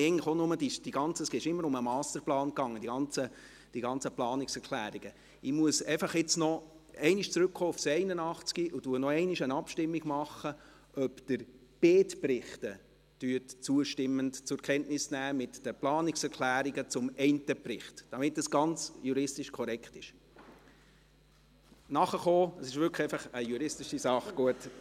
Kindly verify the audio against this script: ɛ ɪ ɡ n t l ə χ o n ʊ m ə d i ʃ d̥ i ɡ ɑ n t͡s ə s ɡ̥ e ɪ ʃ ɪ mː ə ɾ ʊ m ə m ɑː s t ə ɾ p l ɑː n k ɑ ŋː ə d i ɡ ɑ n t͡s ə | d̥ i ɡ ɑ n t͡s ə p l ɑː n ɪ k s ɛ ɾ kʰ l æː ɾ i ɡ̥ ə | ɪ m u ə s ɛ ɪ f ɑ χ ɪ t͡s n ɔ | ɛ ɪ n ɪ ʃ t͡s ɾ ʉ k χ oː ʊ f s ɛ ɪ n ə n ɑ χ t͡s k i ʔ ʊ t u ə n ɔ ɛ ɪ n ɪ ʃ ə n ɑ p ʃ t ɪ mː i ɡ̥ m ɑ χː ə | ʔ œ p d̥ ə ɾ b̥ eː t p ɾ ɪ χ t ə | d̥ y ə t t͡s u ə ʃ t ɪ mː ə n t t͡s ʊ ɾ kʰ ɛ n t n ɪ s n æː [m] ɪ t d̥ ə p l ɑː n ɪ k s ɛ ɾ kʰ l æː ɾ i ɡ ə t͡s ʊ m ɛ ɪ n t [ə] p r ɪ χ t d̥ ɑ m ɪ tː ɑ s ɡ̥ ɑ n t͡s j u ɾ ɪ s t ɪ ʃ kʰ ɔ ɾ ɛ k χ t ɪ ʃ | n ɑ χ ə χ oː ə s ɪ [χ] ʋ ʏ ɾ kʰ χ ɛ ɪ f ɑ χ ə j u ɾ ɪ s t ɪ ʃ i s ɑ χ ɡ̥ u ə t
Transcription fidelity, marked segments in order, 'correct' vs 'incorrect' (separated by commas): correct, correct, incorrect